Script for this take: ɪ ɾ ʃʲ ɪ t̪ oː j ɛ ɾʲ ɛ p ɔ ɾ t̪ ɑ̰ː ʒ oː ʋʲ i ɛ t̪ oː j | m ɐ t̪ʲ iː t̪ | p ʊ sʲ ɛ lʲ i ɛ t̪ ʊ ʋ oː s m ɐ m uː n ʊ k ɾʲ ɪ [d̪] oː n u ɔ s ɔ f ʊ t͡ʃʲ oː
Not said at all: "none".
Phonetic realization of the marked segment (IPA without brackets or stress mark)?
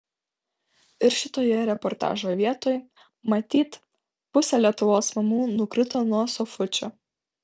t̪